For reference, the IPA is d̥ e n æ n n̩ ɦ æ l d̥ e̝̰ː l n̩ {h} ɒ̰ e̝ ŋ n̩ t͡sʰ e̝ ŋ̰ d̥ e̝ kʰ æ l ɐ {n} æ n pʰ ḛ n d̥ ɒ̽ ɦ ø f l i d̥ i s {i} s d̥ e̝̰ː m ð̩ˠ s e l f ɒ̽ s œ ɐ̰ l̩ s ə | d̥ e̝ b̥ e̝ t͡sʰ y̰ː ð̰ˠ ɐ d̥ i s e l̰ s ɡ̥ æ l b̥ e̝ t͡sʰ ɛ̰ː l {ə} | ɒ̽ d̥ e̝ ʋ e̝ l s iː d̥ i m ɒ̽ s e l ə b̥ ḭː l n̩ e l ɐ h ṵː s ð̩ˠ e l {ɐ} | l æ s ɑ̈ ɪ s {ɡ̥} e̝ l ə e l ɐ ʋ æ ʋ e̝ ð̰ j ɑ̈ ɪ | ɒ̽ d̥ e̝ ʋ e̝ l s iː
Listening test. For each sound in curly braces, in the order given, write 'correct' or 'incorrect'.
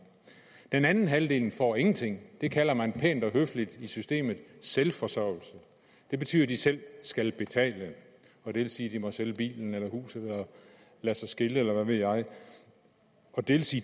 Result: incorrect: f, incorrect: m, incorrect: y, correct, correct, correct

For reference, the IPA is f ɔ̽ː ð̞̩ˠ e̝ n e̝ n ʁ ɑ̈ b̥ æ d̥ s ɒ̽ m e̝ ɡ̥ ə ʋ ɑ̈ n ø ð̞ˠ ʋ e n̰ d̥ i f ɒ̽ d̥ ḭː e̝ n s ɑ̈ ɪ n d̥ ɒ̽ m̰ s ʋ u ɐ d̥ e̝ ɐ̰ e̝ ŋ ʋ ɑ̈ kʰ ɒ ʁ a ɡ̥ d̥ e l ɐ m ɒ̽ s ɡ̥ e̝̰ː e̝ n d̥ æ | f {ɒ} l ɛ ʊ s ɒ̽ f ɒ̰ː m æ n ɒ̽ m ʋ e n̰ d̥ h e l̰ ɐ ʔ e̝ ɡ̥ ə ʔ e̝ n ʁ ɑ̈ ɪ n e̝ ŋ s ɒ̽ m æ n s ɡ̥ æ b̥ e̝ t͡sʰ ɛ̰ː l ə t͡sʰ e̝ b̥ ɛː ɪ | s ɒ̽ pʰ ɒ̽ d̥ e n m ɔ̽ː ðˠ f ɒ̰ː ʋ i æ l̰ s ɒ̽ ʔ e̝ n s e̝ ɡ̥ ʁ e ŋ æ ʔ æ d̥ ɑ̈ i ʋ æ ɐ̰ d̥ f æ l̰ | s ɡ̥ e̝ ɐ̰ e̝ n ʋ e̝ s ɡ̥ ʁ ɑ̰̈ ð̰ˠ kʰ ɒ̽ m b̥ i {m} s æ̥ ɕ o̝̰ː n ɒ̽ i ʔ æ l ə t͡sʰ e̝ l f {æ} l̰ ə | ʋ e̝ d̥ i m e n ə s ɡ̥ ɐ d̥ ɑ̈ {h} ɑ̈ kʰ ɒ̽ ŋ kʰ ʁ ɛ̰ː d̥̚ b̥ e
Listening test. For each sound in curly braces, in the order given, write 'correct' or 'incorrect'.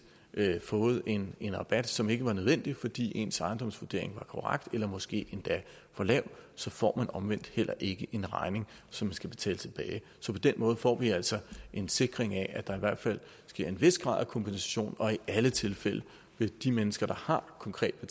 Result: correct, incorrect: n, incorrect: e, correct

